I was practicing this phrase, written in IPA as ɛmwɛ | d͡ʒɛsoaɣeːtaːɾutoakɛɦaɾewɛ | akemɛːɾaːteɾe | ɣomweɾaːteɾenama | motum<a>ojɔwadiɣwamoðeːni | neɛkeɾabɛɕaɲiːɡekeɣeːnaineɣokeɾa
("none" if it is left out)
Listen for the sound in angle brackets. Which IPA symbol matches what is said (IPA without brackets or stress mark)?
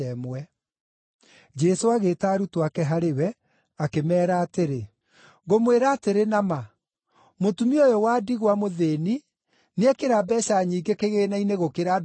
i